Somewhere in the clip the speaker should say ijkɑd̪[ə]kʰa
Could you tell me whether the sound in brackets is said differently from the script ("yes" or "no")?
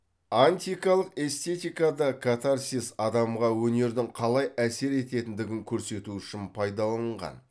yes